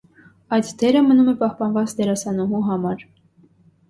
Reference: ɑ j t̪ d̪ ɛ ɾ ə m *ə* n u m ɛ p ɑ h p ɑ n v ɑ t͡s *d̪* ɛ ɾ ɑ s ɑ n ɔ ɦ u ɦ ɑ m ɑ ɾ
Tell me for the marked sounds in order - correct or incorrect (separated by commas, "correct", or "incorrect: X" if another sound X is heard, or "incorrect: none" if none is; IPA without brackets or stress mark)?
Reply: correct, correct